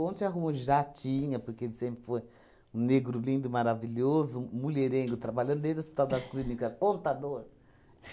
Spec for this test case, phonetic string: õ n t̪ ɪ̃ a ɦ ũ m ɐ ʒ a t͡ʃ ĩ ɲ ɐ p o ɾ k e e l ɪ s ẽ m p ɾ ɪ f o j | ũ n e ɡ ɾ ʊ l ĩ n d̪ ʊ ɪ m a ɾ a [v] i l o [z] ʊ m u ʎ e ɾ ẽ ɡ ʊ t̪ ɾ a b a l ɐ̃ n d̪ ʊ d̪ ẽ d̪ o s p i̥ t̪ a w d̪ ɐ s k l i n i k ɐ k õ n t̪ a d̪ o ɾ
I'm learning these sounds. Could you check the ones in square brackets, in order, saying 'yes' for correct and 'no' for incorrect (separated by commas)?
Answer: yes, yes